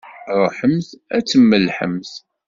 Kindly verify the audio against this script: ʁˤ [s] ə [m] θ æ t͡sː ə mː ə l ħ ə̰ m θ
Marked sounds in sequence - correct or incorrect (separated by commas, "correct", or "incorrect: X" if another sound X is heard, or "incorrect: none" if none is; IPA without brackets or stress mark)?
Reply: incorrect: ħ, correct